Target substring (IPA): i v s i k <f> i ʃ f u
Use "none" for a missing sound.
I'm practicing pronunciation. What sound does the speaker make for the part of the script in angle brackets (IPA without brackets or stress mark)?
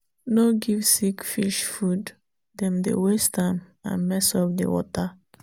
f